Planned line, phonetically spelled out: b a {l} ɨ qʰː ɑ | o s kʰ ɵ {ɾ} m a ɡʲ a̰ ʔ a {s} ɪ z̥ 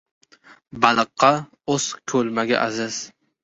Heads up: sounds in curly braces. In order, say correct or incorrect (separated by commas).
correct, incorrect, incorrect